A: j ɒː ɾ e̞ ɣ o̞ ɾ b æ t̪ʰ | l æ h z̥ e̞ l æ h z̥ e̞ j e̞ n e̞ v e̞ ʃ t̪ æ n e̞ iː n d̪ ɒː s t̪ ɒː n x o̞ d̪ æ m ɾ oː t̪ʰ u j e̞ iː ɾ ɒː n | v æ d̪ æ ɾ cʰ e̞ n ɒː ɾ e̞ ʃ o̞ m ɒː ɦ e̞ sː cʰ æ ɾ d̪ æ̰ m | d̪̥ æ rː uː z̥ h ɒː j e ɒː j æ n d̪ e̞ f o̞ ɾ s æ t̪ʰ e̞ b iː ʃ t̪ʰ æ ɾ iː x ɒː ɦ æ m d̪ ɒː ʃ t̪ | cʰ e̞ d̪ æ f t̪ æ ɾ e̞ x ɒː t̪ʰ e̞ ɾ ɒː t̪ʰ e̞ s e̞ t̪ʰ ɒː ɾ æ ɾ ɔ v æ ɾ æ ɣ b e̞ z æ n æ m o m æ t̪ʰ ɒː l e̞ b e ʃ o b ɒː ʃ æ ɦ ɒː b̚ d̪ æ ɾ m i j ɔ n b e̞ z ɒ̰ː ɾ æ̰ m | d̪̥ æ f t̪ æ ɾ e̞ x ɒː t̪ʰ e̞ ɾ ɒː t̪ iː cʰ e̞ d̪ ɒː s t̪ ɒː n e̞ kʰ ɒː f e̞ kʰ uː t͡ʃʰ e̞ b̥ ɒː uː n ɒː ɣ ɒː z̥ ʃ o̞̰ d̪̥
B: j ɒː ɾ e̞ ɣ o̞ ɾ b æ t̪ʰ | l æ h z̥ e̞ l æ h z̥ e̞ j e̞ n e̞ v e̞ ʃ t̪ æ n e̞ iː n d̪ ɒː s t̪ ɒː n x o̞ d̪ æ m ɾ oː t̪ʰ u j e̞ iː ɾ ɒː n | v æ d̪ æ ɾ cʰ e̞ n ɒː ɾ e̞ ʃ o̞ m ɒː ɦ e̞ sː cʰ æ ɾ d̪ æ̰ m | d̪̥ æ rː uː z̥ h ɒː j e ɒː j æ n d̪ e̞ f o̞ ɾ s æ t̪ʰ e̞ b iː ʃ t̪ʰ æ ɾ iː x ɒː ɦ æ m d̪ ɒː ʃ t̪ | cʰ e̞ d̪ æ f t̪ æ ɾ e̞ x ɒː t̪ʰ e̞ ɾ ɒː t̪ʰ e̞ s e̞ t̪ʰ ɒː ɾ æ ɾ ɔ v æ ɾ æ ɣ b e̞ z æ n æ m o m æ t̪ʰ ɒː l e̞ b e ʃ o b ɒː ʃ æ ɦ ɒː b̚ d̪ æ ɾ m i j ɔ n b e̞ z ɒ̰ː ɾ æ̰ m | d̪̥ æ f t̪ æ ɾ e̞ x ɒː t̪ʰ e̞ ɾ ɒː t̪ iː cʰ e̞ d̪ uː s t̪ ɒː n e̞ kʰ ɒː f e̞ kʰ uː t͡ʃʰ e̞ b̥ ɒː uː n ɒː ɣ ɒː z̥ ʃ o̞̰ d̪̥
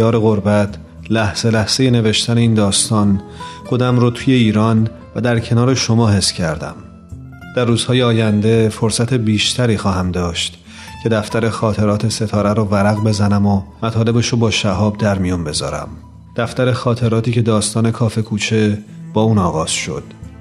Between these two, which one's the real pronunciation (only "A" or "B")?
A